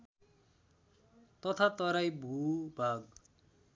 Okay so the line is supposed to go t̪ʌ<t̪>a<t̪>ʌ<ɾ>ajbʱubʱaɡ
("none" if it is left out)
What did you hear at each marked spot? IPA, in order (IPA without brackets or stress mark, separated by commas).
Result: t̪ʰ, t̪, ɾ